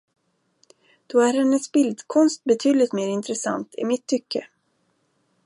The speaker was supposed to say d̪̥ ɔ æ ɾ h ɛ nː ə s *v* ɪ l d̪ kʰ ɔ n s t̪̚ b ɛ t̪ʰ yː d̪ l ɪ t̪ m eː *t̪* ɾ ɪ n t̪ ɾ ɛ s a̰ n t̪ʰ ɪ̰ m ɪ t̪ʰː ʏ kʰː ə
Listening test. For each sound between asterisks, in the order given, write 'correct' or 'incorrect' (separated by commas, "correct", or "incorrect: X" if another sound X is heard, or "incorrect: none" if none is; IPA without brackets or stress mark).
incorrect: b, incorrect: none